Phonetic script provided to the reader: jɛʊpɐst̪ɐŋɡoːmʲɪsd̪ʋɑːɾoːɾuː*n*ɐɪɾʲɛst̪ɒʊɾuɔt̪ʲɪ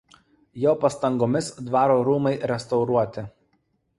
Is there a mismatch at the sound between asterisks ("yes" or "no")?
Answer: yes